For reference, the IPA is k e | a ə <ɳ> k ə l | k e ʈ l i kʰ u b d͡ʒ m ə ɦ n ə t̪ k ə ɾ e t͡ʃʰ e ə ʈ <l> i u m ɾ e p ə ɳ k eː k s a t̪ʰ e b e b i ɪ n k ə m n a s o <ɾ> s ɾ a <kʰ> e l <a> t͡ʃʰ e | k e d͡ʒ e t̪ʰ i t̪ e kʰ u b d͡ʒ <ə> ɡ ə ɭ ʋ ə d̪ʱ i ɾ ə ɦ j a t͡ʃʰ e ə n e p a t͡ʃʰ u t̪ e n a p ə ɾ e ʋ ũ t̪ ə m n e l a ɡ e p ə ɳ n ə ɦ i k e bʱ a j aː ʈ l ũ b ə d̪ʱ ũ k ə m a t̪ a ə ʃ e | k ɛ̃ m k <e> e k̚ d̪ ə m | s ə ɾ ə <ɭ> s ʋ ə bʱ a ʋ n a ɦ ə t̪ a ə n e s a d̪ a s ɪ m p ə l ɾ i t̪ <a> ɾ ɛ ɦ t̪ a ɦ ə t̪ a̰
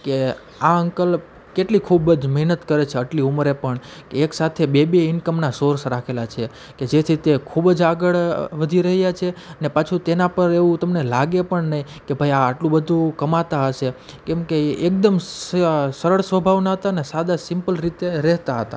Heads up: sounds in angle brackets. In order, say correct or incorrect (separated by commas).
incorrect, correct, correct, correct, correct, incorrect, correct, correct, incorrect